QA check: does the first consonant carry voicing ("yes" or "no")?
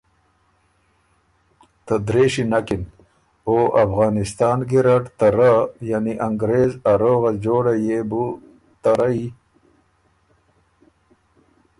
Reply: no